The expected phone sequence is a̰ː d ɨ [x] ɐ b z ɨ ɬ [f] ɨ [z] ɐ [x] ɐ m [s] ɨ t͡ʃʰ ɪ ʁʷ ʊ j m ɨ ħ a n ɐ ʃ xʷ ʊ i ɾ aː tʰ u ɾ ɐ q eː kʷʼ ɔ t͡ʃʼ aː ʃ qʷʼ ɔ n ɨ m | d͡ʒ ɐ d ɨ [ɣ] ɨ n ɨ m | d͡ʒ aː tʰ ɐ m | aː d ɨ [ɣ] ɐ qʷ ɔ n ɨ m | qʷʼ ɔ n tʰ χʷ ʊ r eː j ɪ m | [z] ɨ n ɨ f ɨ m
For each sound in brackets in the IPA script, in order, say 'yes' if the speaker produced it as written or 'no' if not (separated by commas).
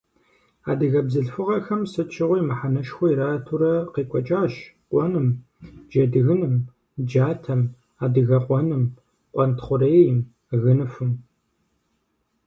no, yes, no, yes, yes, yes, yes, no